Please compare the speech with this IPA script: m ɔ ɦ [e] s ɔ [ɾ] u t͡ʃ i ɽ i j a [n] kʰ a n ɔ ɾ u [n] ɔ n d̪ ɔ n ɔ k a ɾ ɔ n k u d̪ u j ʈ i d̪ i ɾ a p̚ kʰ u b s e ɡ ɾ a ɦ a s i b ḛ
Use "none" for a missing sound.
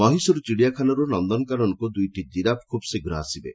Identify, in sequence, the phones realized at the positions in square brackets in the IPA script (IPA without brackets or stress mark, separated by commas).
i, ɾ, none, n